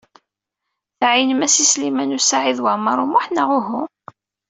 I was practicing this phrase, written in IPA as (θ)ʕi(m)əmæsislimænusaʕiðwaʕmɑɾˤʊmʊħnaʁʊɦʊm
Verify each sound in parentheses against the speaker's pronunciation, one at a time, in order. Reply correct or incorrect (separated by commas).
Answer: correct, incorrect